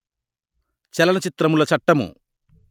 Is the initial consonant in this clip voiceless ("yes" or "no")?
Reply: yes